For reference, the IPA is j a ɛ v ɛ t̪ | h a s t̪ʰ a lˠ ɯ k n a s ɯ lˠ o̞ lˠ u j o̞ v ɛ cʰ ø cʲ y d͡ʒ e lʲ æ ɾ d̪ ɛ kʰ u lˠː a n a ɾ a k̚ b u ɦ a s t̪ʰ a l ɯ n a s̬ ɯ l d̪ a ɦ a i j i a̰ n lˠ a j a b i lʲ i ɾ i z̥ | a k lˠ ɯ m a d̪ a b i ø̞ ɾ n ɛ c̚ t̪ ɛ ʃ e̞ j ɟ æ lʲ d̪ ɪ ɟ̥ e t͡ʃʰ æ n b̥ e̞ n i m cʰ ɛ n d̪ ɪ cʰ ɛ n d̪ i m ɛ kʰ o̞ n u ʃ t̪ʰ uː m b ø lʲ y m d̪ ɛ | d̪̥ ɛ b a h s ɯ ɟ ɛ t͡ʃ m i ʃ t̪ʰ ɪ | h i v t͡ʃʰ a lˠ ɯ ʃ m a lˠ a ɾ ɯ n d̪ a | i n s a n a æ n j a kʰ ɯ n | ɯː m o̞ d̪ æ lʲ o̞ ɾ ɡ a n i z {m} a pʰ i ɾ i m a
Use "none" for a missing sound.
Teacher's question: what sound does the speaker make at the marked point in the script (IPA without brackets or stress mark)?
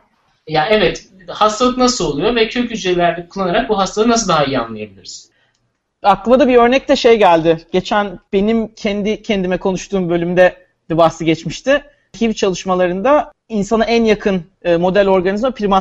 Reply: m